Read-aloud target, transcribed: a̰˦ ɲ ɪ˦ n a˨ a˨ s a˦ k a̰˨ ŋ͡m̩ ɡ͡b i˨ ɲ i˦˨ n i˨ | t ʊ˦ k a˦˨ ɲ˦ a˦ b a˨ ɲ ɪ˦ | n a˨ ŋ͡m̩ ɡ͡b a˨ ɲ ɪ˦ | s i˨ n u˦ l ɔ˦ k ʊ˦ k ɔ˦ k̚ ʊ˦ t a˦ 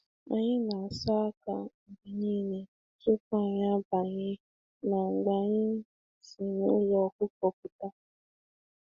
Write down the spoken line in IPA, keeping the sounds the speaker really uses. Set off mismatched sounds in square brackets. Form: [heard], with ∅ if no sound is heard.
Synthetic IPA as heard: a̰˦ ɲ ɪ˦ n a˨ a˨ s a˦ k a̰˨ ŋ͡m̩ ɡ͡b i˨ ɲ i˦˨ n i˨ | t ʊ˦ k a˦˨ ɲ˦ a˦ b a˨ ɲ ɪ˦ | n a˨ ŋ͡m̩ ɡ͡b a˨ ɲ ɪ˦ | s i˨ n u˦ l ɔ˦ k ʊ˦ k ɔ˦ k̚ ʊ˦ t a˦